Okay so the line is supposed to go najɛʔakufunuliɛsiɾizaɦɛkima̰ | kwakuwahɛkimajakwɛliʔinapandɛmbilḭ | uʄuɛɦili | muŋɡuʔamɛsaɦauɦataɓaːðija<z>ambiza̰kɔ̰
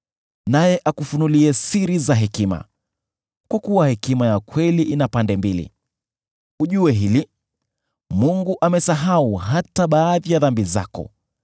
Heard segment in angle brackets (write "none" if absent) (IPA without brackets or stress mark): ð